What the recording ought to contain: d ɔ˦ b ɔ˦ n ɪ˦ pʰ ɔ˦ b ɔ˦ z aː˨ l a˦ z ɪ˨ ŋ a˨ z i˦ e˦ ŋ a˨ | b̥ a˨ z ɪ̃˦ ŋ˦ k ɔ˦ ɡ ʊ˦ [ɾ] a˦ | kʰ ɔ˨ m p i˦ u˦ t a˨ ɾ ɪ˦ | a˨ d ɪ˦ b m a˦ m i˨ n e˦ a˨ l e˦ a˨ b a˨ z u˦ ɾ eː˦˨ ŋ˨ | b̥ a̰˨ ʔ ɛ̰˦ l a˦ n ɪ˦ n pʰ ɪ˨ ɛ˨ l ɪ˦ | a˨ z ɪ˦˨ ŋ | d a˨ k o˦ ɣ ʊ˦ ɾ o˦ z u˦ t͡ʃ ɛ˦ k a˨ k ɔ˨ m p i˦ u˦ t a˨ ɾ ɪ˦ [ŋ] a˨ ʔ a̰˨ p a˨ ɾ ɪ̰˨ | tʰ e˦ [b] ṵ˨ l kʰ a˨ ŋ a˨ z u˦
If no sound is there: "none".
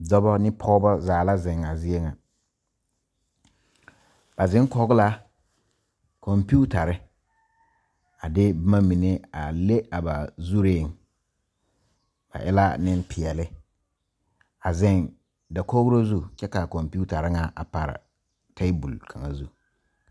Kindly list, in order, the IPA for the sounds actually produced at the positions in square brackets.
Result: l, ŋ, b

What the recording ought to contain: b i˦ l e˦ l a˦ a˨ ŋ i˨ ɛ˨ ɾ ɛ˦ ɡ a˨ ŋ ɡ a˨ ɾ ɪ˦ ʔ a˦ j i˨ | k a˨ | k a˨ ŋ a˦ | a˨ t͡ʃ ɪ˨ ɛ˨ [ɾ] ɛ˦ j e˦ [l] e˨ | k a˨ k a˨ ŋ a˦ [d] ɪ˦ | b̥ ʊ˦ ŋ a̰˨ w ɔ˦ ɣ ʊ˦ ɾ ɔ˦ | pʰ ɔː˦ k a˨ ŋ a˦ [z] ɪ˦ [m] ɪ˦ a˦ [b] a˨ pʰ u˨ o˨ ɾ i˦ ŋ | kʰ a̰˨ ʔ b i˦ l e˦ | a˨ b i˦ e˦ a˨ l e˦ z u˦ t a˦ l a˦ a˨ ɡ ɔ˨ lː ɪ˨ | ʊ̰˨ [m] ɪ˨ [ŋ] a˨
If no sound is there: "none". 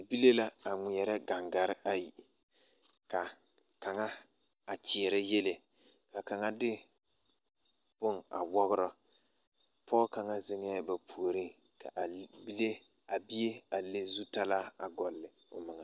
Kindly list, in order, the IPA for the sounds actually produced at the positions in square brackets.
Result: ɾ, l, d, z, ŋ, b, m, ŋ

